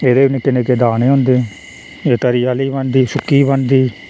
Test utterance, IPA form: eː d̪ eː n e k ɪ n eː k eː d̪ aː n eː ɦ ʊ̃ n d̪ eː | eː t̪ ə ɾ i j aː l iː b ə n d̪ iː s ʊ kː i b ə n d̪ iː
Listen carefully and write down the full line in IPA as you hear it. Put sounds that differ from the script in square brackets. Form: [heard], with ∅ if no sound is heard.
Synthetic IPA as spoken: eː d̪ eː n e k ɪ n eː k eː d̪ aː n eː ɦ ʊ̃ n d̪ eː | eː t̪ ə ɾ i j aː l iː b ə n d̪ iː s ʊ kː [iː] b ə n d̪ iː